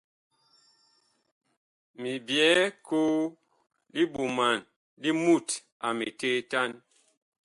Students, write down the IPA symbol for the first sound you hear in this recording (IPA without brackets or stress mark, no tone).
m